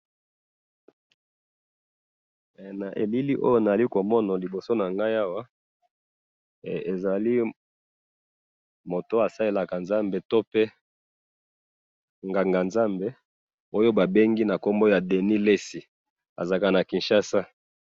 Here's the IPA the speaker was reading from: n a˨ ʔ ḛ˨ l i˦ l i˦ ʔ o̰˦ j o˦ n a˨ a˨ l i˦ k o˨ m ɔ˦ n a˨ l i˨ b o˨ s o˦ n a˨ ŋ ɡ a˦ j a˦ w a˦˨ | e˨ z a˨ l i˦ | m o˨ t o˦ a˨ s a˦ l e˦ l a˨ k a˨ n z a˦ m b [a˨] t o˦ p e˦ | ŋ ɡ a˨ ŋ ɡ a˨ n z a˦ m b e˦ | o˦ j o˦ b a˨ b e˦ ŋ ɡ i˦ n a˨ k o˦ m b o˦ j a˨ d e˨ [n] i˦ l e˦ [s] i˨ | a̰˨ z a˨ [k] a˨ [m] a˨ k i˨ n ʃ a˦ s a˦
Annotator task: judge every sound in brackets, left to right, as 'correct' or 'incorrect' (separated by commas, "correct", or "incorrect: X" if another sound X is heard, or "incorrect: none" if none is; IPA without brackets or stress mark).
incorrect: e˨, correct, correct, correct, incorrect: n